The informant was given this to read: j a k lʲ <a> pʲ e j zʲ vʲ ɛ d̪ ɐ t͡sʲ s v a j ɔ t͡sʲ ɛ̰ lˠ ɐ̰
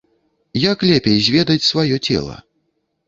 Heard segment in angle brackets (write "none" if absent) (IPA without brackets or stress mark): ɛ